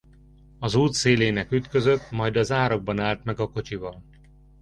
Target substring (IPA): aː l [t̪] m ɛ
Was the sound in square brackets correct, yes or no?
yes